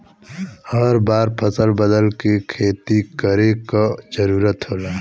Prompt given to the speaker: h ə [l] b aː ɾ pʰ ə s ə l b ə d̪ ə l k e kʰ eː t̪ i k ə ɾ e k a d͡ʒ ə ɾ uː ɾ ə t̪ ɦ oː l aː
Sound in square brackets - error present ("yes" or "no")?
yes